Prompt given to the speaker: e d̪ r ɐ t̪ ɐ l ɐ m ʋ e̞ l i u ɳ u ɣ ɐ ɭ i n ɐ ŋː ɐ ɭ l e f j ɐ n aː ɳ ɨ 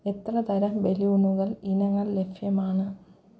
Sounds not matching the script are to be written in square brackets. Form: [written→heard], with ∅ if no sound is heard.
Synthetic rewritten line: e [d̪→t̪] r ɐ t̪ ɐ [l→ɾ] ɐ m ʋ e̞ l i u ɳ u ɣ ɐ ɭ i n ɐ ŋː ɐ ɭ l e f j ɐ [n→m] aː ɳ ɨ